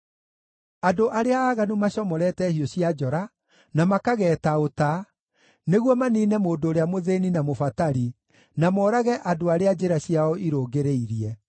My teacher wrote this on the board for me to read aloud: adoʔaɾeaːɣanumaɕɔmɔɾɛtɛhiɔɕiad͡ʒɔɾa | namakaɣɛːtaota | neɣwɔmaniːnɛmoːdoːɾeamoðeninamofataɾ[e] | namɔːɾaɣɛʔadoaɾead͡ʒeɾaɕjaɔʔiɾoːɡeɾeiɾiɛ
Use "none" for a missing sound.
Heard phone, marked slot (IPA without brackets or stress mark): i